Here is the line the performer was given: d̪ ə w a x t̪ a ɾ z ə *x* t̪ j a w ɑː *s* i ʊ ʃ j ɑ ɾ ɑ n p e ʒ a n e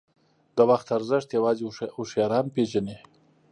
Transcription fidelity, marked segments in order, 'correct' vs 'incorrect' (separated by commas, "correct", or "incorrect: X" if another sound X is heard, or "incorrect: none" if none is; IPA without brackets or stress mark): incorrect: ʂ, incorrect: z